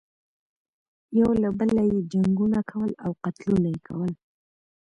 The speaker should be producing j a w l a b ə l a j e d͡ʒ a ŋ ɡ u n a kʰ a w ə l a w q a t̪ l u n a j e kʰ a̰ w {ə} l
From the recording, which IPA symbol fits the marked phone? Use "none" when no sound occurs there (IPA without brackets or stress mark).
ə